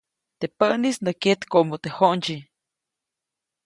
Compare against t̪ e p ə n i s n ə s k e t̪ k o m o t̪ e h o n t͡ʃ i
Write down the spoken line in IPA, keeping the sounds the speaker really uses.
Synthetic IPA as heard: t̪ e p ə n i s n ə k e t̪ k o m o t̪ e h o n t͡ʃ i